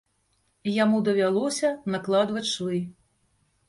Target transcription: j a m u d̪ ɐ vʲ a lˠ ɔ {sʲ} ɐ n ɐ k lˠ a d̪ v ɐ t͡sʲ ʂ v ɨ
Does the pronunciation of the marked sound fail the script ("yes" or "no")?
no